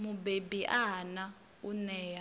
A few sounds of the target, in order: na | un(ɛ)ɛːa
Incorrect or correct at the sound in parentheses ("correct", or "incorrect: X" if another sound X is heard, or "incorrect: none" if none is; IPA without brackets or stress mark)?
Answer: correct